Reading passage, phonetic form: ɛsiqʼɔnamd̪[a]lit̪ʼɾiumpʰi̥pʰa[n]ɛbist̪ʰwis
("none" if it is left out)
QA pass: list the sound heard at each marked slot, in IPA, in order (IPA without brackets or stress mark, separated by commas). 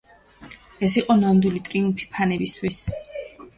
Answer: i, n